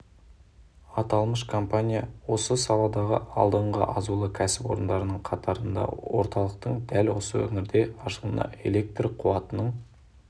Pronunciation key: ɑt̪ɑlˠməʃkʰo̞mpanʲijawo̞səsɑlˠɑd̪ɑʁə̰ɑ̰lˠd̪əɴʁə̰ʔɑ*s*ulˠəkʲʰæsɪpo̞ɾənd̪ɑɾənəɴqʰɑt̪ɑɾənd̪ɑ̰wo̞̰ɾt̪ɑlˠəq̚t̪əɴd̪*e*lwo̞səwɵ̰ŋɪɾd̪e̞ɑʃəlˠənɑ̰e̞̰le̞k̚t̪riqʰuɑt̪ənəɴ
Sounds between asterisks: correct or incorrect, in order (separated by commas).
incorrect, incorrect